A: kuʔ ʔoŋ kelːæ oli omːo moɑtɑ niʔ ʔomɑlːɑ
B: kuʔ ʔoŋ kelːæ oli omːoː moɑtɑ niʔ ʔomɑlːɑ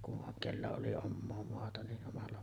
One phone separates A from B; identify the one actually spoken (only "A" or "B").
B